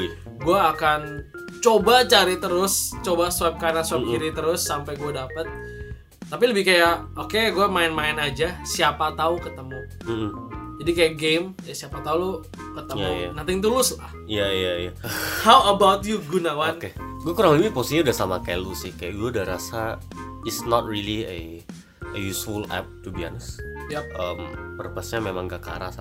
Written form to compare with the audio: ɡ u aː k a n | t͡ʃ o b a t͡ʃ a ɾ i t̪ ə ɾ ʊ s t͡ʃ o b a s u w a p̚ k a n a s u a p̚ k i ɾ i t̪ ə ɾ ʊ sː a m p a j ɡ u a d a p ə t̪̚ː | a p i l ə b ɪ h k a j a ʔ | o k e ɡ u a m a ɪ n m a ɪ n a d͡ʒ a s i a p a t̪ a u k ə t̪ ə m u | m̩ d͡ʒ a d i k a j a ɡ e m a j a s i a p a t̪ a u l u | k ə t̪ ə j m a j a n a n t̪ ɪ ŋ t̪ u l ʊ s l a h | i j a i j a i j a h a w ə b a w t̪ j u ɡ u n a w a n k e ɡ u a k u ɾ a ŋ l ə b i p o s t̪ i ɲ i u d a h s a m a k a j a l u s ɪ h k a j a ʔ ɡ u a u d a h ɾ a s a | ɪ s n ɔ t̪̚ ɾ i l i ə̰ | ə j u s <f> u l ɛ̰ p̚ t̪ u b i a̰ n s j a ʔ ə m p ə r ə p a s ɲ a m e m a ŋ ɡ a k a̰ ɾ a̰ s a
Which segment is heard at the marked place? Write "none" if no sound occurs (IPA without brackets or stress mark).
f